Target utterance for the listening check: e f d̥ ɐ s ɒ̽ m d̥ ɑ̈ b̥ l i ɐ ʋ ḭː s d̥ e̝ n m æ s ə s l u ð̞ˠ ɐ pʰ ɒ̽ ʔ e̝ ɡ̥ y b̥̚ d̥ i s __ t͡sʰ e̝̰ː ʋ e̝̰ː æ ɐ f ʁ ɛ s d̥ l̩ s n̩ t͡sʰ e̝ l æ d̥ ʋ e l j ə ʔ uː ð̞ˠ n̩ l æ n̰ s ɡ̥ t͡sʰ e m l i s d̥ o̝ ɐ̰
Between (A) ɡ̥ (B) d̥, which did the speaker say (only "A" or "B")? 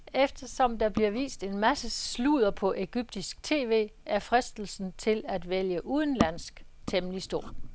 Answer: A